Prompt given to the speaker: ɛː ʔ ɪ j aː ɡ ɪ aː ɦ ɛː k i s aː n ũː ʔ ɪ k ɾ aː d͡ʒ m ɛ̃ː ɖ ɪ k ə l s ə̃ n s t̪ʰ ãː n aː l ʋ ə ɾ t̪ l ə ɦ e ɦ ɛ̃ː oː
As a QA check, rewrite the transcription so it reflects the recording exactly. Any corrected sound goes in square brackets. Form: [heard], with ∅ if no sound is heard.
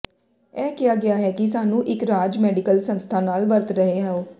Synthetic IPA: ɛː [k] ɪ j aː ɡ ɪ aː ɦ ɛː k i s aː n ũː ʔ ɪ k ɾ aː d͡ʒ m [ɛː] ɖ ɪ k ə l s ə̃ n s t̪ʰ [aː] n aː l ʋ ə ɾ t̪ [ɾ] ə ɦ e ɦ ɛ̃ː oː